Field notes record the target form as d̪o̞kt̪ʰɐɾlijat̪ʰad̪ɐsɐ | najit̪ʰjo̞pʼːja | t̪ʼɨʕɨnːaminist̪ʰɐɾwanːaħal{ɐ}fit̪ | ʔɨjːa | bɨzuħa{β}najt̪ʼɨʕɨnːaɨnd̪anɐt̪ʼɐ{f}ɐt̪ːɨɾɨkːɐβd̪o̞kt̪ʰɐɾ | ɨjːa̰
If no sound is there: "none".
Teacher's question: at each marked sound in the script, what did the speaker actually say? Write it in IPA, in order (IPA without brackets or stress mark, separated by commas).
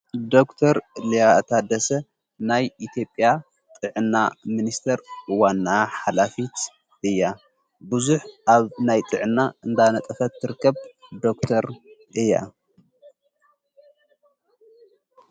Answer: a, β, f